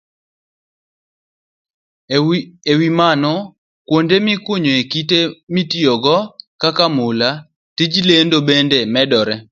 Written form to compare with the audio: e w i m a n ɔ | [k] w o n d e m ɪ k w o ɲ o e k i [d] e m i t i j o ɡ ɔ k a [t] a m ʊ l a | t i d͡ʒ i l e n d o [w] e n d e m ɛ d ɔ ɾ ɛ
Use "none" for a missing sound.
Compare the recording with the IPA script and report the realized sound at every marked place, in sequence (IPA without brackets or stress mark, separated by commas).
k, t, k, b